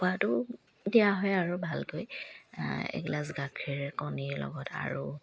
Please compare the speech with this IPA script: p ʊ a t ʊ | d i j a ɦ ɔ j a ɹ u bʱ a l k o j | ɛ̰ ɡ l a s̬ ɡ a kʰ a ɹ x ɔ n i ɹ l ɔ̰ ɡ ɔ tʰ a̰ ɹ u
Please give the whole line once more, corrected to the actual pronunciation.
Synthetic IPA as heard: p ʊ a t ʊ | d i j a ɦ ɔ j a ɹ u bʱ a l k o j | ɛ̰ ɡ l a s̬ ɡ a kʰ i ɹ k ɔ n i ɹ l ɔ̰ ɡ ɔ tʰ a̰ ɹ u

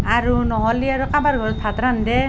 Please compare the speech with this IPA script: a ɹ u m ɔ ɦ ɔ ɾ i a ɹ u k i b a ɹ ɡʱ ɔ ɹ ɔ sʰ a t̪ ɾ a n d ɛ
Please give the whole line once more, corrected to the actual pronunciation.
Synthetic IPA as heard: a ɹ u n ɔ ɦ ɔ l i a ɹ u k a b a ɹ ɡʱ ɔ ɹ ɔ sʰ a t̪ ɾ a n d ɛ

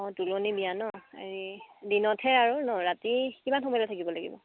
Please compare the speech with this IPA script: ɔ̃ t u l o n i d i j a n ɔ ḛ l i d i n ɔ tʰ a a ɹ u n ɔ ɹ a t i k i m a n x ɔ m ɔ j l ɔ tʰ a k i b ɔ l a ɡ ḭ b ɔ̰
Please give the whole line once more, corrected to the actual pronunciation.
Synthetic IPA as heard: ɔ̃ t u l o n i b i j a n ɔ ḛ ɹ i d i n ɔ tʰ ɛ a ɹ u n ɔ ɹ a t i k i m a n x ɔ m ɔ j l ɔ tʰ a k i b ɔ l a ɡ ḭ b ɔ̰

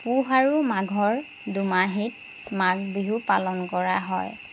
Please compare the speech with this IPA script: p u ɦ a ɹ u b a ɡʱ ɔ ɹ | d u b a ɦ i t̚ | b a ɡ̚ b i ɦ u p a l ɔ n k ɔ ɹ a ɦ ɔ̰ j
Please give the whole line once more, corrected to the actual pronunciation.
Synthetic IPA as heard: p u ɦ a ɹ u m a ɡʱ ɔ ɹ | d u m a ɦ i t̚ | m a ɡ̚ b i ɦ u p a l ɔ n k ɔ ɹ a ɦ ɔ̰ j

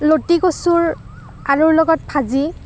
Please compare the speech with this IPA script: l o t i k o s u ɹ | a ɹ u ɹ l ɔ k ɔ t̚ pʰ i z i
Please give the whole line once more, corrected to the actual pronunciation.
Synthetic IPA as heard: l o t i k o s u ɹ | a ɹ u ɹ l ɔ ɡ ɔ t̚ pʰ a z i

